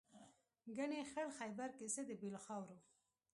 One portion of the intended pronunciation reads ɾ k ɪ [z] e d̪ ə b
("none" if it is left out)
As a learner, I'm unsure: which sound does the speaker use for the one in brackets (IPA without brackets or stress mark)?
s